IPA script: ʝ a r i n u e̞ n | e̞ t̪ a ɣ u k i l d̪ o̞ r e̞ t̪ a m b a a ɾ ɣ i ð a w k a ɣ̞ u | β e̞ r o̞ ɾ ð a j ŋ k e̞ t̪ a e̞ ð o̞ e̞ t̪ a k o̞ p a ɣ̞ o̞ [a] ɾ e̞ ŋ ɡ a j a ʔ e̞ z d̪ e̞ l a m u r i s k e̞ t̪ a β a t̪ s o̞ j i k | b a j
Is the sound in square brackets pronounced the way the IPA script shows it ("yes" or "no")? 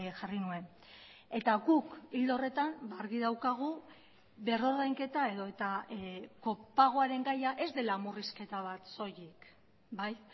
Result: yes